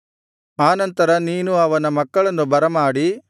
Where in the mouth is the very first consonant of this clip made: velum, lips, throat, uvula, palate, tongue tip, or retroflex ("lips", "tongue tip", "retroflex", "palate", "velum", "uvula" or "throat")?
tongue tip